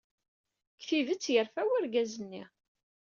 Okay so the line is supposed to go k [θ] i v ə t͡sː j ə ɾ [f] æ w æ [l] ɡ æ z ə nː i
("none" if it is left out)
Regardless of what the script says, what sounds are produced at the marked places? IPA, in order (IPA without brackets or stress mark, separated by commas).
θ, f, ɾ